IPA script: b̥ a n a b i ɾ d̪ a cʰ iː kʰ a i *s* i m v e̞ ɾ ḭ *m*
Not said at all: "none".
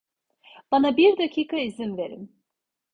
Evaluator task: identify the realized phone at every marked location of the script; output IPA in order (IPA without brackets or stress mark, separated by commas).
z, m